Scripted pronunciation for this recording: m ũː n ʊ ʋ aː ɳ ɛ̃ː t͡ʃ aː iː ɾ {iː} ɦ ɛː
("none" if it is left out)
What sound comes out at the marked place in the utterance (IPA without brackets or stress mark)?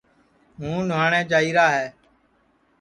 aː